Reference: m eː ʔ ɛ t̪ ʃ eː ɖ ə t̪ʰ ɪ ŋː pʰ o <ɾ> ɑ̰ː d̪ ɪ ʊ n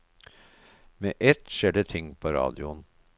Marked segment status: correct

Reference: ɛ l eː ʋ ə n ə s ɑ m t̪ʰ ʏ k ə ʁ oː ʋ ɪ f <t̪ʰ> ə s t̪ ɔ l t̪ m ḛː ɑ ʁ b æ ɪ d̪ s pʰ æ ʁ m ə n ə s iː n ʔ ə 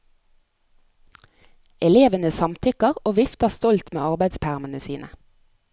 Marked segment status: incorrect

